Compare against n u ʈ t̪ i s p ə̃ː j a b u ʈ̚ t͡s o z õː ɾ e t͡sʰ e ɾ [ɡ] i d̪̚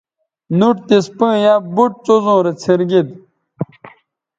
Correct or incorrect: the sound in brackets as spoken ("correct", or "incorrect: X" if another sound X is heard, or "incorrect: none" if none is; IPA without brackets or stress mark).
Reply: correct